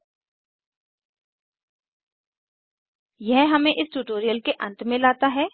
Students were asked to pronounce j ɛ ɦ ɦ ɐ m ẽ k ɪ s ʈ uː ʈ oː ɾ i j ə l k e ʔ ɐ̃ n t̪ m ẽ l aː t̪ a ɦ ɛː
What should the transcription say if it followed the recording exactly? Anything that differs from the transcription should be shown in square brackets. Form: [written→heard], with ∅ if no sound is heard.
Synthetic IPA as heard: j ɛ ɦ ɦ ɐ m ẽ [k→ʔ] ɪ s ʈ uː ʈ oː ɾ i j ə l k e ʔ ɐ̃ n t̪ m ẽ l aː t̪ a ɦ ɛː